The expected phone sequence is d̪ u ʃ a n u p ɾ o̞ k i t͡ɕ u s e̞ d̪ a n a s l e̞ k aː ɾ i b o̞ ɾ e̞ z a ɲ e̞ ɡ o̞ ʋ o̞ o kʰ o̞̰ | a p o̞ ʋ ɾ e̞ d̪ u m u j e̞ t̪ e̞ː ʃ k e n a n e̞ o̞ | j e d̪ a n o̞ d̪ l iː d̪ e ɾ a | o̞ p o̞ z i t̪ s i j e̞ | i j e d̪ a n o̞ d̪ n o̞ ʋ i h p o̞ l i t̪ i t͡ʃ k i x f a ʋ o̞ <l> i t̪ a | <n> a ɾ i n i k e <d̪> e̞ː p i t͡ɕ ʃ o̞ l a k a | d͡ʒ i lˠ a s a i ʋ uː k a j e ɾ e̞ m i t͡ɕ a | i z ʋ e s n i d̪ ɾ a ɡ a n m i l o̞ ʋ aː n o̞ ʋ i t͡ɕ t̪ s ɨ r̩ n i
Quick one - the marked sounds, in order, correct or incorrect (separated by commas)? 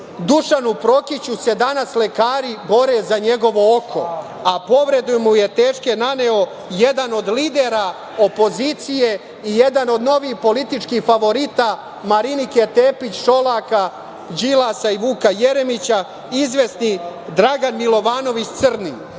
incorrect, incorrect, incorrect